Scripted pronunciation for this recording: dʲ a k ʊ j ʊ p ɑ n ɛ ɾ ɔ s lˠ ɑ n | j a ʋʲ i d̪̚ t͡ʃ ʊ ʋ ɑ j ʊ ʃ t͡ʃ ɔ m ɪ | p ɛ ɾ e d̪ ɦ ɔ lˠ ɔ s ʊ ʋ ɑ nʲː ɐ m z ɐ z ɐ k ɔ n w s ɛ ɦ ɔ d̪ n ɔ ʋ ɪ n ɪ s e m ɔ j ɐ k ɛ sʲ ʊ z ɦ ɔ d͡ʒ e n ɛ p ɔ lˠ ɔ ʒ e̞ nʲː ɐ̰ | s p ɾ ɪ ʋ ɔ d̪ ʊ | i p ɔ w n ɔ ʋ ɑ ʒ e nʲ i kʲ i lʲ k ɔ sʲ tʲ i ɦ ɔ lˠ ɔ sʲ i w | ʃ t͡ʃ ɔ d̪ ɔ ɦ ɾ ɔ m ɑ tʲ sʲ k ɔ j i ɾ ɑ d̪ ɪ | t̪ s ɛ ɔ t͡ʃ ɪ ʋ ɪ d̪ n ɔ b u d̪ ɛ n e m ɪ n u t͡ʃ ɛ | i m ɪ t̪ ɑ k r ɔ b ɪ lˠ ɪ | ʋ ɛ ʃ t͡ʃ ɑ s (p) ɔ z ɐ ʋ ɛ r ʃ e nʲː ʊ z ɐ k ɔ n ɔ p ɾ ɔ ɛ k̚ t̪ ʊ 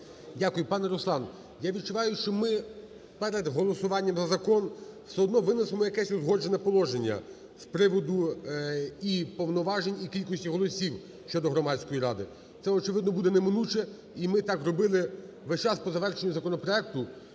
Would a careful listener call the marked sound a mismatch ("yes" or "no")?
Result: no